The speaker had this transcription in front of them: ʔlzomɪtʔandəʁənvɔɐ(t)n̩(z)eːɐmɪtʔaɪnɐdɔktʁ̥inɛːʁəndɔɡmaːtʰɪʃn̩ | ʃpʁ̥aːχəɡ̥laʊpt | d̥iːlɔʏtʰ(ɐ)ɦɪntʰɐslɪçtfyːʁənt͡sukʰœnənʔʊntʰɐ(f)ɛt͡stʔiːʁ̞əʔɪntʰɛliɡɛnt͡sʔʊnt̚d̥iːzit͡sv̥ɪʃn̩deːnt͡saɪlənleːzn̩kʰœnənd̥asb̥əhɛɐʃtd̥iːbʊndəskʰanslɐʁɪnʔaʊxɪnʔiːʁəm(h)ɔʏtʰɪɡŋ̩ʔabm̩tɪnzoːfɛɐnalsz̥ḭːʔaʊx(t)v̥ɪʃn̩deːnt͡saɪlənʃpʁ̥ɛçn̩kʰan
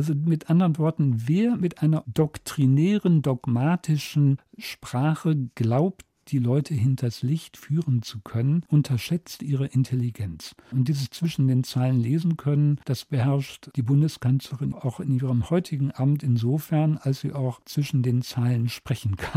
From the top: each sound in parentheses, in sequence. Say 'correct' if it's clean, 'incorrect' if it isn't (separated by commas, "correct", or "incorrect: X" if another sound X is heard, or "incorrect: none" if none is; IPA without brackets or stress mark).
correct, incorrect: v, incorrect: ə, incorrect: ʃ, correct, incorrect: t͡s